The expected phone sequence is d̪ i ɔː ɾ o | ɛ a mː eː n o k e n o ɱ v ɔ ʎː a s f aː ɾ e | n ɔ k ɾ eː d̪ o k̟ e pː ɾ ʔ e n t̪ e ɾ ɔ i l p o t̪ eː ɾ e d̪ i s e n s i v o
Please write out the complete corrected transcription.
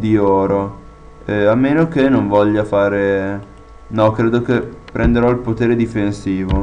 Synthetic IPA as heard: d̪ i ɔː ɾ o | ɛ a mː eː n o k e n o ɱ v ɔ ʎː a f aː ɾ e | n ɔ k ɾ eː d̪ o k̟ e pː ɾ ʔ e n d̪ e ɾ ɔ i l p o t̪ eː ɾ e d̪ i f e n s iː v o